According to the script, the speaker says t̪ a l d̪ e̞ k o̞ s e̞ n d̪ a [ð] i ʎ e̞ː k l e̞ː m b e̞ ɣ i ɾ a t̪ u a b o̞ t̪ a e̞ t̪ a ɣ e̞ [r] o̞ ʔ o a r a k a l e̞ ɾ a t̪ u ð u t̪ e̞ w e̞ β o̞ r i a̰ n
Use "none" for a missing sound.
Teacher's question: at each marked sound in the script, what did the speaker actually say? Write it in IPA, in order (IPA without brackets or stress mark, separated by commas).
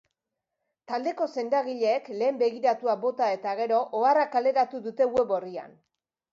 ɣ, ɾ